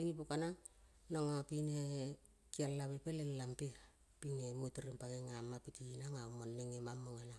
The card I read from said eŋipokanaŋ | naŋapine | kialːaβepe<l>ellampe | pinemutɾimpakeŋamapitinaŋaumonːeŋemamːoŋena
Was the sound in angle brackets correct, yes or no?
yes